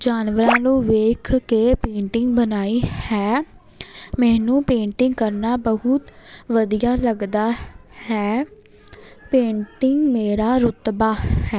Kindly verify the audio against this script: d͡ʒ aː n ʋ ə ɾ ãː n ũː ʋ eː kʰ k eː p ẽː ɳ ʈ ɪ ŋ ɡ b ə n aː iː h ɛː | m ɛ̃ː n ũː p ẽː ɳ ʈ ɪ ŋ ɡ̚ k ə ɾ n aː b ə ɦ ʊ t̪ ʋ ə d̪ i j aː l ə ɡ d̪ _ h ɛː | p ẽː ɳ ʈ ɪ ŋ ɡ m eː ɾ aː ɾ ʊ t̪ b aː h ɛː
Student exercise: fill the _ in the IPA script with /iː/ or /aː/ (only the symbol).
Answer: aː